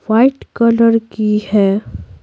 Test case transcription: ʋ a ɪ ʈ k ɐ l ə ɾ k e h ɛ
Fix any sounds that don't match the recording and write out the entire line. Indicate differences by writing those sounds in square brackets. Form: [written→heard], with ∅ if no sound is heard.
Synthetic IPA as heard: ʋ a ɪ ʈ k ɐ l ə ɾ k [e→i] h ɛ

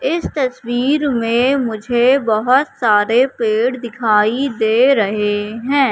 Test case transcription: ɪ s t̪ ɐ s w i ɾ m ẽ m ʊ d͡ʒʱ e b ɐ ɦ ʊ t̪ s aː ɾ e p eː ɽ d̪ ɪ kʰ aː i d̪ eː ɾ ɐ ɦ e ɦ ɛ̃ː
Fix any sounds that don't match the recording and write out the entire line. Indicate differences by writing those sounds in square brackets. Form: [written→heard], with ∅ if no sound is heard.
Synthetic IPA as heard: ɪ s t̪ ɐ s w [i→iː] ɾ m ẽ m ʊ d͡ʒʱ e b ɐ ɦ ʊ t̪ s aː ɾ e p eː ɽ d̪ ɪ kʰ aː i d̪ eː ɾ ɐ ɦ e ɦ ɛ̃ː

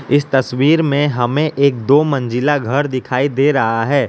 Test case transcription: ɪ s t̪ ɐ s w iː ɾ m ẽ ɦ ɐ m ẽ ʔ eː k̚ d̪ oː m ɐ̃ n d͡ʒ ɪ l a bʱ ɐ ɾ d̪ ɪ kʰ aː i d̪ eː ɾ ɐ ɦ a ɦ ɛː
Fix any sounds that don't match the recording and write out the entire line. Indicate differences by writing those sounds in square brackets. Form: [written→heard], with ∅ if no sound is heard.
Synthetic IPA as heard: ɪ s t̪ ɐ s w iː ɾ m ẽ ɦ ɐ m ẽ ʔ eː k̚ d̪ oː m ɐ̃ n d͡ʒ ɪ l a [bʱ→ɡʱ] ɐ ɾ d̪ ɪ kʰ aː i d̪ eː ɾ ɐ ɦ a ɦ ɛː

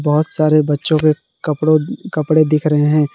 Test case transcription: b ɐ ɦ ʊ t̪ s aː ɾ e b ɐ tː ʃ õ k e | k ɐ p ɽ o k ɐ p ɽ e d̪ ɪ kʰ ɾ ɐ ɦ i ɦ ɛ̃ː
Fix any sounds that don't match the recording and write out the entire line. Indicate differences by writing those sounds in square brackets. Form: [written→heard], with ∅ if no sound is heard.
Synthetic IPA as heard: b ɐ ɦ ʊ t̪ s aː ɾ e b ɐ tː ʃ õ k e | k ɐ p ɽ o k ɐ p ɽ e d̪ ɪ kʰ ɾ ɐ ɦ [i→e] ɦ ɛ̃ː

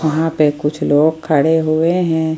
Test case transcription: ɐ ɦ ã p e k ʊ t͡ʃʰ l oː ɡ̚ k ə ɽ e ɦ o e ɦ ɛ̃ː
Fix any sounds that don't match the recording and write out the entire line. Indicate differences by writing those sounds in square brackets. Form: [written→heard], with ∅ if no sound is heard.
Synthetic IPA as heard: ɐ ɦ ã p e k ʊ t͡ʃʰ l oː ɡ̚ [k→kʰ] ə ɽ e ɦ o e ɦ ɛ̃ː

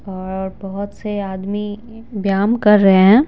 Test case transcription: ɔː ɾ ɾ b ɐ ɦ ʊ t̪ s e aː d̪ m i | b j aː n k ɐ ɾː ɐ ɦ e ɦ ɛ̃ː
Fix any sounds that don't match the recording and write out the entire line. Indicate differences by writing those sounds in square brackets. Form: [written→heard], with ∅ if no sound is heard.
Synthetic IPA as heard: ɔː ɾ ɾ b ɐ ɦ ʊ t̪ s e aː d̪ m i | b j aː [n→m] k ɐ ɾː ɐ ɦ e ɦ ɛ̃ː

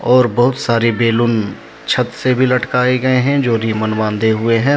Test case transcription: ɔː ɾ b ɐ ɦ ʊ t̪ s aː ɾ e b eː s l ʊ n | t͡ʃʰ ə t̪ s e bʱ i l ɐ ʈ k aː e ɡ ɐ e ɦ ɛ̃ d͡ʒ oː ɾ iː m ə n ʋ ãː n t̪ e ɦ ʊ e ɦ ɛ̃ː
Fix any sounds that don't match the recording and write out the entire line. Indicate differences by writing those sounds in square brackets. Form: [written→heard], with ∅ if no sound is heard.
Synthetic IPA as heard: ɔː ɾ b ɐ ɦ ʊ t̪ s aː ɾ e b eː [s→∅] l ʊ n | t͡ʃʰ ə t̪ s e bʱ i l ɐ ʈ k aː e ɡ ɐ e ɦ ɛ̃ d͡ʒ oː ɾ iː m ə n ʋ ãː n [t̪→d̪] e ɦ ʊ e ɦ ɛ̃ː

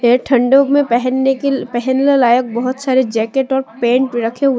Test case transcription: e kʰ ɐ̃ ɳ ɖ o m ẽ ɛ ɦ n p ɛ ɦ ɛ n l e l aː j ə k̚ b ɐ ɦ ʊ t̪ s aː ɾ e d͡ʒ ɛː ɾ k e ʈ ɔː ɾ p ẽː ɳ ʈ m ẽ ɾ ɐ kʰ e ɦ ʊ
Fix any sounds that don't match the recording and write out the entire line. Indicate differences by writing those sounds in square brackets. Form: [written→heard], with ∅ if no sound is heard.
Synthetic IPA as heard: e [kʰ→ʈʰ] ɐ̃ ɳ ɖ o m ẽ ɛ ɦ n p ɛ ɦ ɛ n l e l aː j ə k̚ b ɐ ɦ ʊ t̪ s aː ɾ e d͡ʒ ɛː [ɾ→∅] k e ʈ ɔː ɾ p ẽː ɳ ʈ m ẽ ɾ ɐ kʰ e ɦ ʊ

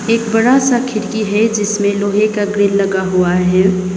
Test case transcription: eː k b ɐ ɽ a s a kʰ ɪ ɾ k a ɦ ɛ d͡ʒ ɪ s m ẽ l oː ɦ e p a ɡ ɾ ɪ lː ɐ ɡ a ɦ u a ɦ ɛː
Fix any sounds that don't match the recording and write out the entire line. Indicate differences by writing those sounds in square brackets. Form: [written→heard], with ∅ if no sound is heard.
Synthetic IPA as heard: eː k b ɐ ɽ a s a kʰ ɪ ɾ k [a→i] ɦ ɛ d͡ʒ ɪ s m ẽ l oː ɦ e [p→k] a ɡ ɾ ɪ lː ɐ ɡ a ɦ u a ɦ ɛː

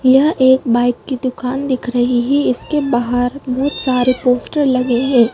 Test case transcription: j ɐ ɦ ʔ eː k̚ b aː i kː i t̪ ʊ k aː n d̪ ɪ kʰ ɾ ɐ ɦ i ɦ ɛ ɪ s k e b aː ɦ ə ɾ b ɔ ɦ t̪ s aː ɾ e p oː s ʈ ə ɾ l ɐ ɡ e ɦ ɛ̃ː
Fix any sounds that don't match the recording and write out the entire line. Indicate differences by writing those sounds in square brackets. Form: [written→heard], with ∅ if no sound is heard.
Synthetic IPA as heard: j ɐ ɦ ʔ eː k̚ b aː [i→ɪ] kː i [t̪→d̪] ʊ k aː n d̪ ɪ kʰ ɾ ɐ ɦ i ɦ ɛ ɪ s k e b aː ɦ ə ɾ b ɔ ɦ t̪ s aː ɾ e p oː s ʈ ə ɾ l ɐ ɡ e ɦ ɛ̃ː

